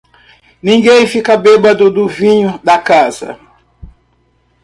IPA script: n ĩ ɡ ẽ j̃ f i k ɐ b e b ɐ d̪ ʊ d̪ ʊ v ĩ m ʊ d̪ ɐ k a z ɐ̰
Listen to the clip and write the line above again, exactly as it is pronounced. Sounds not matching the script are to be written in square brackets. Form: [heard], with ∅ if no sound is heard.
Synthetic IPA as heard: n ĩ ɡ ẽ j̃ f i k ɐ b e b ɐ d̪ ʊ d̪ ʊ v ĩ [ɲ] ʊ d̪ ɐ k a z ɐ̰